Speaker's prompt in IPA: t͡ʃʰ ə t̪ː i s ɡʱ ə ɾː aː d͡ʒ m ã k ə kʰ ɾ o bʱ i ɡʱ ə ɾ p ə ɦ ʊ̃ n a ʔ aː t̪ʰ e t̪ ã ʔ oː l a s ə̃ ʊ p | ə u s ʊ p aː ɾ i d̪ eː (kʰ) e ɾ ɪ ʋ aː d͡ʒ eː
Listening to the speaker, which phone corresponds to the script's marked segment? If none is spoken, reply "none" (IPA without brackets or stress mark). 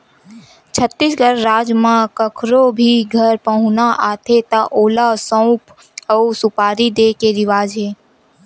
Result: k